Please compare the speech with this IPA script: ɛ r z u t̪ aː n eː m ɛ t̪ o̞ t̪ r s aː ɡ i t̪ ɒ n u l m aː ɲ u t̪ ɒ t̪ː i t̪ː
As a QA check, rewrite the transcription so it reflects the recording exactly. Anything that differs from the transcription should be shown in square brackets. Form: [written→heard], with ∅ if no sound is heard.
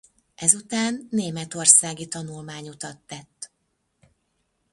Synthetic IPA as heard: ɛ [r→∅] z u t̪ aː [n→nː] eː m ɛ t̪ o̞ [t̪→∅] r s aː ɡ i t̪ ɒ n u l m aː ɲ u t̪ ɒ t̪ː [i→ɛ] t̪ː